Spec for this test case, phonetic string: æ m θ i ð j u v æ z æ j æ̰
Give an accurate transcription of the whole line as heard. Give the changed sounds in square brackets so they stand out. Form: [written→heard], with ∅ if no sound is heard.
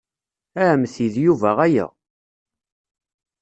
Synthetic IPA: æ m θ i ð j u v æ [z→ʁ] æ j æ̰